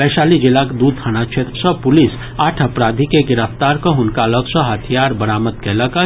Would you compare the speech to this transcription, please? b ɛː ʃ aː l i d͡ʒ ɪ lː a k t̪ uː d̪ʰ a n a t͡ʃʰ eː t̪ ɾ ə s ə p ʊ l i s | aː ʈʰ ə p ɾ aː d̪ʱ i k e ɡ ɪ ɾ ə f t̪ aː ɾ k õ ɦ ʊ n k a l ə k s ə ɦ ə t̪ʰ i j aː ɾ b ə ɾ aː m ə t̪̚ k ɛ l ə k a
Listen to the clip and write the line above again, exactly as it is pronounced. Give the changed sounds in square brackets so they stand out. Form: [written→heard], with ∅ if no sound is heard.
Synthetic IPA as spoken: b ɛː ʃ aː l i d͡ʒ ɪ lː a k [t̪→d̪] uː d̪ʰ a n a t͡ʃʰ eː t̪ ɾ ə s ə p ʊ l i s | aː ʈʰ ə p ɾ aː d̪ʱ i k e ɡ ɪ ɾ ə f t̪ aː ɾ k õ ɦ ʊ n k a l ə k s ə ɦ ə t̪ʰ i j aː ɾ b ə ɾ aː m ə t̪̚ k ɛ l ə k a